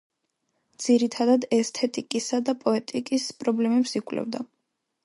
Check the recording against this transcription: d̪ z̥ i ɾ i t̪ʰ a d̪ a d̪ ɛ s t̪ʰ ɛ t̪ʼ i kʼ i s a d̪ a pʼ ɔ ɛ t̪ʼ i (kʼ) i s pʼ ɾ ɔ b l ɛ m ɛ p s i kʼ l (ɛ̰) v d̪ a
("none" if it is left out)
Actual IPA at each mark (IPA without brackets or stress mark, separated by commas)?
kʼ, ɛ̰